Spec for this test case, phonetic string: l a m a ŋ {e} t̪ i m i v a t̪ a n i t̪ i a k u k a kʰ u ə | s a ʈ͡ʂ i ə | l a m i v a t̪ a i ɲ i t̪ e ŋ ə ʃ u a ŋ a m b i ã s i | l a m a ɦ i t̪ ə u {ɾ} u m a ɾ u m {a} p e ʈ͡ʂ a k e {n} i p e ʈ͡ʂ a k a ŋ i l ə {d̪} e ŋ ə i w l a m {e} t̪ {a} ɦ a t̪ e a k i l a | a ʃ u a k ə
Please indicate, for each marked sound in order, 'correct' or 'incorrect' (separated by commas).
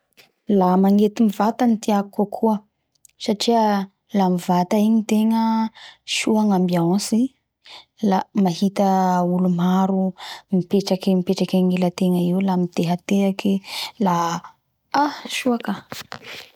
correct, incorrect, incorrect, incorrect, incorrect, incorrect, incorrect